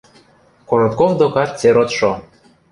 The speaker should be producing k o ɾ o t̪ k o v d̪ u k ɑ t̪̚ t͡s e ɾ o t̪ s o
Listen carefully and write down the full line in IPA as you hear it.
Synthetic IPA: k o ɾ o t̪ k o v d̪ o k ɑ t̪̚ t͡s e ɾ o t̪ ʃ o